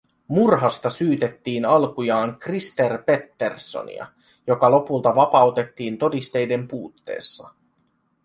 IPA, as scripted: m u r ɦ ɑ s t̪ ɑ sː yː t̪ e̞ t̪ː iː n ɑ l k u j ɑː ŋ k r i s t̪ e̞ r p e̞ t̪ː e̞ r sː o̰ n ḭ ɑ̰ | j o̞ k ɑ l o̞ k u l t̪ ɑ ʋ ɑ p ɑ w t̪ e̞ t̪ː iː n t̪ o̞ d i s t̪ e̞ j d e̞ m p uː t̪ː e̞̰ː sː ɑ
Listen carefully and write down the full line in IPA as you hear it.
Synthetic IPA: m u r ɦ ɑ s t̪ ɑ s yː t̪ e̞ t̪ː iː n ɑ l k u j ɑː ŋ k r i s t̪ e̞ r p e̞ t̪ː e̞ r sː o̰ n ḭ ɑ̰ | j o̞ k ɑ l o̞ p u l t̪ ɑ ʋ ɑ p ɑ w t̪ e̞ t̪ː iː n t̪ o̞ d i s t̪ e̞ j d e̞ m p uː t̪ː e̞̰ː sː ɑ